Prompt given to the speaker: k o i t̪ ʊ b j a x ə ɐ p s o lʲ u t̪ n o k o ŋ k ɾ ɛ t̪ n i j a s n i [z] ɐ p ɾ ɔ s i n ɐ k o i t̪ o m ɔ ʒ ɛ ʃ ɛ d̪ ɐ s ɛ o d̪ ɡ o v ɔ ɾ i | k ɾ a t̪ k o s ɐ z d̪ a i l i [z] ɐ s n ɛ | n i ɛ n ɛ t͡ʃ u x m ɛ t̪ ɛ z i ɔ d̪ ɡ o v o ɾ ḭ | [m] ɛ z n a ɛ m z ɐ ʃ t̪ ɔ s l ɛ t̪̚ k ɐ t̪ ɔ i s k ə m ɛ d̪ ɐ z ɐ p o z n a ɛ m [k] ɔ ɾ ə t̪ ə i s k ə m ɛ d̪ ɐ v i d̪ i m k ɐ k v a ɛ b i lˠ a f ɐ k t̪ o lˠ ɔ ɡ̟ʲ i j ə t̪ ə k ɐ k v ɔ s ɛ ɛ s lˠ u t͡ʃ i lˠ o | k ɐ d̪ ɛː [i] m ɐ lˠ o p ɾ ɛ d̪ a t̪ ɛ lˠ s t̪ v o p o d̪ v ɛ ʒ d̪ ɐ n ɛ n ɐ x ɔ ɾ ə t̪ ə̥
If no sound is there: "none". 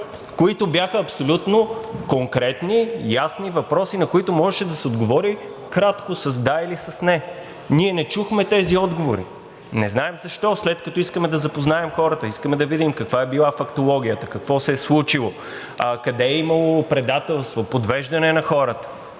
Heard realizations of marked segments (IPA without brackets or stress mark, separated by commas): v, s, n, x, i